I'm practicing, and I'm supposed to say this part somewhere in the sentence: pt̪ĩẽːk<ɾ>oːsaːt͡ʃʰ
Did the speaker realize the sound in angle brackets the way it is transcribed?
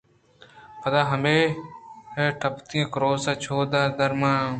yes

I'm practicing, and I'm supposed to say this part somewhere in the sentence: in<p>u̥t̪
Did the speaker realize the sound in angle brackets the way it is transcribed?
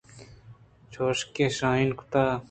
no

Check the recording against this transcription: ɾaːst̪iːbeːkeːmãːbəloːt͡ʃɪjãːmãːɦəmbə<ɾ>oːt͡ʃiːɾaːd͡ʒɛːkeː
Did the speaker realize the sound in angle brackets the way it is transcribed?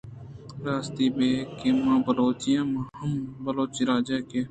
no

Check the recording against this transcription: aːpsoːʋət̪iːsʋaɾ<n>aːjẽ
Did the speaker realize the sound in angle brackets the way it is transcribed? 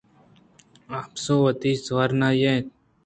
yes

